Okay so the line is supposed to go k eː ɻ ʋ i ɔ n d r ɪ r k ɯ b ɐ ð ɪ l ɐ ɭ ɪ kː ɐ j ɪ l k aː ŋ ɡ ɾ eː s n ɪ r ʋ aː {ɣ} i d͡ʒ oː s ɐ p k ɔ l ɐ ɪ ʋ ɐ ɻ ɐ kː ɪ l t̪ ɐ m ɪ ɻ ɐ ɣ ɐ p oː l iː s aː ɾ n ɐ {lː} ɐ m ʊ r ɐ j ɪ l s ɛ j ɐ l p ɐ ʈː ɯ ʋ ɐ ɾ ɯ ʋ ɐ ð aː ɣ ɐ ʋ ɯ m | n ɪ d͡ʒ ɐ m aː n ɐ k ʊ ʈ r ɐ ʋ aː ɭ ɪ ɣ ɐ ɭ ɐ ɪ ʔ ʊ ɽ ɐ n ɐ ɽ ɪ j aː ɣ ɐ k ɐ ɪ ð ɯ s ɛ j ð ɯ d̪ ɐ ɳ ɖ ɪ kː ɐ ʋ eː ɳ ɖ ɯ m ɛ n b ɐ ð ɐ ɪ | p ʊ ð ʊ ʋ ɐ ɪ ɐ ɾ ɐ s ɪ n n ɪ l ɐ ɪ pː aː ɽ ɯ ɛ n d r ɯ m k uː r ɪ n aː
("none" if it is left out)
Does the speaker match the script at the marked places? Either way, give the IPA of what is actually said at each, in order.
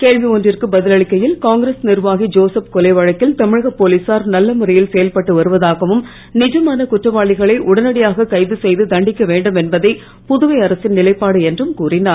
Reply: ɣ, lː

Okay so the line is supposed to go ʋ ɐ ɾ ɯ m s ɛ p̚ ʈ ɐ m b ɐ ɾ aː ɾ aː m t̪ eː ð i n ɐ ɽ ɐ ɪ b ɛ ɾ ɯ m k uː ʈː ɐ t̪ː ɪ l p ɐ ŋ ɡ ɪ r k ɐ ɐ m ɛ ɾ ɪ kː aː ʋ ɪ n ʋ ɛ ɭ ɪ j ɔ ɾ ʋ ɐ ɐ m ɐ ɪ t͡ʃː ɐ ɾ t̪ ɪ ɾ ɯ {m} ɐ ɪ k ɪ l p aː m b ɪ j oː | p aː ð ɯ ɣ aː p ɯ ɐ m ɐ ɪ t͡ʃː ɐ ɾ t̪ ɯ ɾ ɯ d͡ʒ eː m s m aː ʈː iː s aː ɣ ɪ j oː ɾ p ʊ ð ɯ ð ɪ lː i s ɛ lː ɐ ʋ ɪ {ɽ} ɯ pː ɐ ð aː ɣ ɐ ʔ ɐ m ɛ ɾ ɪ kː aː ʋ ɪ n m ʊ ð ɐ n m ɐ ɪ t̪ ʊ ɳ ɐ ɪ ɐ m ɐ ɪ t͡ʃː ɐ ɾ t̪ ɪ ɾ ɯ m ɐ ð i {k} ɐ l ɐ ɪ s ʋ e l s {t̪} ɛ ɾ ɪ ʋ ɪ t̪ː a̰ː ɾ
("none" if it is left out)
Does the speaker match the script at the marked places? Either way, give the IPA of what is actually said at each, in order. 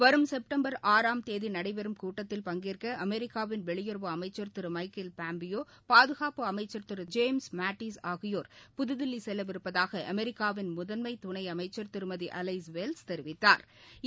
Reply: m, ɾ, ʔ, t̪

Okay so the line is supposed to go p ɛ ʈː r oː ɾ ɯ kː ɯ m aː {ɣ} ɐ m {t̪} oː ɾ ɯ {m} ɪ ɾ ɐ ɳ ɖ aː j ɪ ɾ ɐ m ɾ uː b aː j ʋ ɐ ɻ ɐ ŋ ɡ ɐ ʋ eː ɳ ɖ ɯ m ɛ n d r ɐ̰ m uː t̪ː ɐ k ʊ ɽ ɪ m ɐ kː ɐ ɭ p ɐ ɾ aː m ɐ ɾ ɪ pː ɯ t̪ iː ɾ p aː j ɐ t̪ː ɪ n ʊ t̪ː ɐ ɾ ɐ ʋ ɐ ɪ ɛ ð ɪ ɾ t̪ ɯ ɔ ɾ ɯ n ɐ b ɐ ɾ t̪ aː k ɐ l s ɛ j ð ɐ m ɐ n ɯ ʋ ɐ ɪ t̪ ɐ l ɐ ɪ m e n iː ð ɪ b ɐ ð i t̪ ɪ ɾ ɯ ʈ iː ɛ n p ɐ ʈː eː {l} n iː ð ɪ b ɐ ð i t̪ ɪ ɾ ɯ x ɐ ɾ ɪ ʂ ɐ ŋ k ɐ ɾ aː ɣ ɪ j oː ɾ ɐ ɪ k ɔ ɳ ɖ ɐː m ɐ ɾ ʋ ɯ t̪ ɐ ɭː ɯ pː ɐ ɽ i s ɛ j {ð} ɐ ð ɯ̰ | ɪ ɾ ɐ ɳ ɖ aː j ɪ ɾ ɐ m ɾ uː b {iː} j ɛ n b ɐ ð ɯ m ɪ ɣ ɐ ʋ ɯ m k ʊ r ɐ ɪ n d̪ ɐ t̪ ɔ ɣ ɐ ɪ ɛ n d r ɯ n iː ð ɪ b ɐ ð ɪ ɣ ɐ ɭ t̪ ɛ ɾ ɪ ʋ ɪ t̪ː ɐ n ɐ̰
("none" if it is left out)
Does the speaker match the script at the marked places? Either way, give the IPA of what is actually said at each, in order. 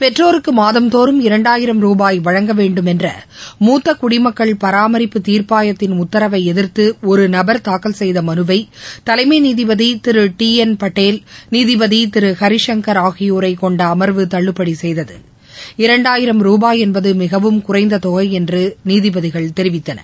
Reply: ð, t̪, m, l, ð, aː

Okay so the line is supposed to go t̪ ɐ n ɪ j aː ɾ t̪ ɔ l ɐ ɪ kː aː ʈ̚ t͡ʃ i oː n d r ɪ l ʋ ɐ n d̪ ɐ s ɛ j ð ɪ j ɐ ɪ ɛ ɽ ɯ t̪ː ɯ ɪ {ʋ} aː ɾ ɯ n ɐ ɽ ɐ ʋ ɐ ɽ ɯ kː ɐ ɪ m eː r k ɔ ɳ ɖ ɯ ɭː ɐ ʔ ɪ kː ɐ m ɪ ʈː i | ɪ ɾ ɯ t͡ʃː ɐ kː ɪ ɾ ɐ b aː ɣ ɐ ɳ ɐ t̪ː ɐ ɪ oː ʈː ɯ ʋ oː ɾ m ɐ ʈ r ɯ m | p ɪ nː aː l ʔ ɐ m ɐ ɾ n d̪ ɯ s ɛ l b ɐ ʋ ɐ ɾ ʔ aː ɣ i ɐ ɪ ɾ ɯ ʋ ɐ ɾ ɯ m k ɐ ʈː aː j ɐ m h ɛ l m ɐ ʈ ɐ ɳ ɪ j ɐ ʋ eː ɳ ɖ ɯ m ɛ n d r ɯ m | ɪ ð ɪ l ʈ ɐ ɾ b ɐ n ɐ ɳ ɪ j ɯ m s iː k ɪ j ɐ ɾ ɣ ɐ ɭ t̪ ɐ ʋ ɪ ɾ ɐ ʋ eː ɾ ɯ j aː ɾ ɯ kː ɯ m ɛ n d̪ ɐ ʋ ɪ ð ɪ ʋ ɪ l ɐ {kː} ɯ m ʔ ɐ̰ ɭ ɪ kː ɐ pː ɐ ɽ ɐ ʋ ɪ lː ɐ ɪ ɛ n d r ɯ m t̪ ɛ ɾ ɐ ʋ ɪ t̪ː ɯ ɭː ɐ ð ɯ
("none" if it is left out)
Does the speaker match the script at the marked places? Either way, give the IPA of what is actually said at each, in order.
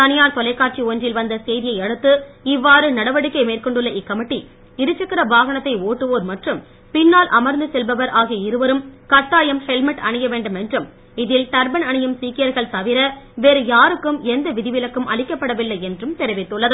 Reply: ʋː, kː

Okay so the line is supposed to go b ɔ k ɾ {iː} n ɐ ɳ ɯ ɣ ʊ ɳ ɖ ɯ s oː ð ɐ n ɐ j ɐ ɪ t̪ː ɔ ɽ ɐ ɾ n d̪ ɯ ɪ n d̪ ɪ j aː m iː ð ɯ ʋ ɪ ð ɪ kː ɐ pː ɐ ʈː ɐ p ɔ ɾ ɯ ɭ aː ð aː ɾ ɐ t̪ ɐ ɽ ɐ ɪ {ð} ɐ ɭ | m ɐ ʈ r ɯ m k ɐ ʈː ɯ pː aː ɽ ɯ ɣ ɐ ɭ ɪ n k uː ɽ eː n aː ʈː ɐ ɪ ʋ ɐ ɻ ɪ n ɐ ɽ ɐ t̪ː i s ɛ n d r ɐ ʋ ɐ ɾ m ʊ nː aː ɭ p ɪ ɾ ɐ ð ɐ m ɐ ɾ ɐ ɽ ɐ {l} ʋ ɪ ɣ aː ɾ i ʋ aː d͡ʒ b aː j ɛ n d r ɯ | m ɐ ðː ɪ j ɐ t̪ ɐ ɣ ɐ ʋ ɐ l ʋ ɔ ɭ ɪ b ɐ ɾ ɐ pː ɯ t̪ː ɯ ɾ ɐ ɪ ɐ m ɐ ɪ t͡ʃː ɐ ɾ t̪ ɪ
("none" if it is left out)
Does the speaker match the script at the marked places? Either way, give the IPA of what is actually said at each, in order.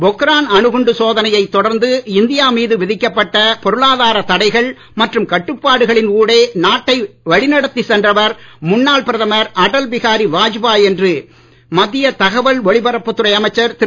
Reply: aː, ɣ, l

